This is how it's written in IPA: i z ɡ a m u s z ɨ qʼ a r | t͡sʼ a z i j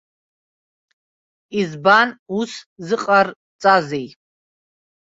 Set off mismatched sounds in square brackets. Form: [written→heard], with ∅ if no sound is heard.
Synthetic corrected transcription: i z [ɡ→b] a [m→n] u s z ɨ qʼ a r | t͡sʼ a z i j